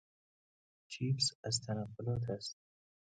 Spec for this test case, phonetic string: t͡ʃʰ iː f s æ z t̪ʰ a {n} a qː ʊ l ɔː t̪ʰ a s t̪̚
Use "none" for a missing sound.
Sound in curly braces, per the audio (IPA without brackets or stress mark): n